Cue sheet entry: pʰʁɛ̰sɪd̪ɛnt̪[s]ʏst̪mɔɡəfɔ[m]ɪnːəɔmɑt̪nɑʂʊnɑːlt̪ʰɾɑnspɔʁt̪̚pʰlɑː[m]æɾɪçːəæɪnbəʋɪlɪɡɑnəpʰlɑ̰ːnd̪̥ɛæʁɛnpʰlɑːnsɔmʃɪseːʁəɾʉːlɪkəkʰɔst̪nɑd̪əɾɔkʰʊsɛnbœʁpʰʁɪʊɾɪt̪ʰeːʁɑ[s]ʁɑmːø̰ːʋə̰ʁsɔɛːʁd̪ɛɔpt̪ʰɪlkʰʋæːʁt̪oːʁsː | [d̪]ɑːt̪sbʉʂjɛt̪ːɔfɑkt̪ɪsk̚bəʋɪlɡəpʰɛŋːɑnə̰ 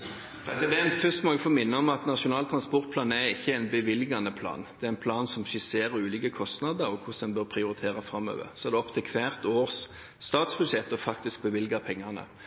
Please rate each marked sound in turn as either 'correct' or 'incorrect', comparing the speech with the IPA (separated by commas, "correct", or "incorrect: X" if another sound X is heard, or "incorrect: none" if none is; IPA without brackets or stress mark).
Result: incorrect: f, correct, incorrect: n, incorrect: f, incorrect: t̪